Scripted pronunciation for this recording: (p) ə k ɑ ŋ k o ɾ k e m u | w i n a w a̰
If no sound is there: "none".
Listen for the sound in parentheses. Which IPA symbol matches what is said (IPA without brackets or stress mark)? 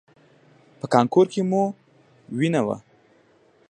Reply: p